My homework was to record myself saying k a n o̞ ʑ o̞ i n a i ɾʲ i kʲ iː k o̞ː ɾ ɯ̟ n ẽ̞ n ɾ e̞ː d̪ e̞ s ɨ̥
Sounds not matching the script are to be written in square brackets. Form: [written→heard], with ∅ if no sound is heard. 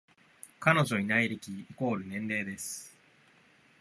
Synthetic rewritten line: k a n o̞ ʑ o̞ i n a i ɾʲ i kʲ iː k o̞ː ɾ ɯ̟ n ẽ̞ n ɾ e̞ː d̪ e̞ s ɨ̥